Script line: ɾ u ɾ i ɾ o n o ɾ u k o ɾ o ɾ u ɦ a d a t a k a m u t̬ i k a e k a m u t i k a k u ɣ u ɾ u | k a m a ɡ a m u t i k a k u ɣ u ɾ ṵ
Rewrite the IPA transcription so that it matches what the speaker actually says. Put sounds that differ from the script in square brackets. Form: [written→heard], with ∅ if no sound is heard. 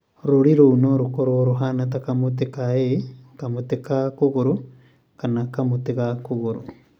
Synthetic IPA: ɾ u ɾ i ɾ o n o ɾ u k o ɾ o ɾ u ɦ a [d→n] a t a k a m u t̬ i k a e k a m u t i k a k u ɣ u ɾ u | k a [m→n] a [ɡ→k] a m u t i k a k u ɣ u ɾ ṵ